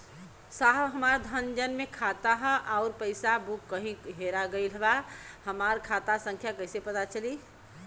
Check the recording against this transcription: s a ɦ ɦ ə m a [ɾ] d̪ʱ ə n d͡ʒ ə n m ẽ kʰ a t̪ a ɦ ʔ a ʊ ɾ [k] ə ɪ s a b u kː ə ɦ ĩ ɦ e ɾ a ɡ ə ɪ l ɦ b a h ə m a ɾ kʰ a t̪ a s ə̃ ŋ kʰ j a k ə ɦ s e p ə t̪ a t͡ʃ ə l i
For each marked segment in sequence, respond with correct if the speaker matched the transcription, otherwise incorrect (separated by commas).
correct, incorrect